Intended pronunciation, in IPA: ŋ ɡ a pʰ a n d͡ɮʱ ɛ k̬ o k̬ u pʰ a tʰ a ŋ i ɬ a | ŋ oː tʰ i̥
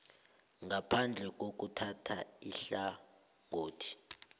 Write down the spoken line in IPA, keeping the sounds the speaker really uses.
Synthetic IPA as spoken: ŋ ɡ a pʰ a n d͡ɮʱ ɛ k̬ o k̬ u tʰ a tʰ a i ɬ a | ŋ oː tʰ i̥